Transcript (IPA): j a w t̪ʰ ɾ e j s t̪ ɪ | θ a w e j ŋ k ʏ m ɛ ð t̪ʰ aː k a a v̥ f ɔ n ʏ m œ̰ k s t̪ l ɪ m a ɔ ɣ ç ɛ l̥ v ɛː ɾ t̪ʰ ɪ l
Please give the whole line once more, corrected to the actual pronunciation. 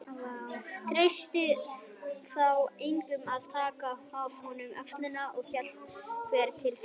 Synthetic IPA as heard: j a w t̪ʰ ɾ e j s t̪ ɪ | θ a w e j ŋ k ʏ m a ð t̪ʰ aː k a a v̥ h ɔ n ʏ m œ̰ k s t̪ l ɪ n a ɔ ɣ ç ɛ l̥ v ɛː ɾ t̪ʰ ɪ l